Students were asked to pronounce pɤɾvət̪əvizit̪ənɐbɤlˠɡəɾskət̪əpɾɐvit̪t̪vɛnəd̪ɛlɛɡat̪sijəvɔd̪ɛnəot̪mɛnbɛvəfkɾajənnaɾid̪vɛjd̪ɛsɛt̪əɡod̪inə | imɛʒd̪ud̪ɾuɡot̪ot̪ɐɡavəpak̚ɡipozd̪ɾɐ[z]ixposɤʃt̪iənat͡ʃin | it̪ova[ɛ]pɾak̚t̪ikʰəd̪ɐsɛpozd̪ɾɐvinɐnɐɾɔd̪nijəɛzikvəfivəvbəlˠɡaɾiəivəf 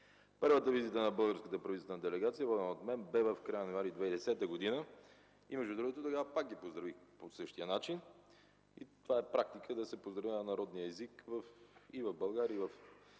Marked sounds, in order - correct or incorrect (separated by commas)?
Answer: incorrect, correct